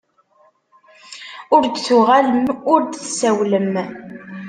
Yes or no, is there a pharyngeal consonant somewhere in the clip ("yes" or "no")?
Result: no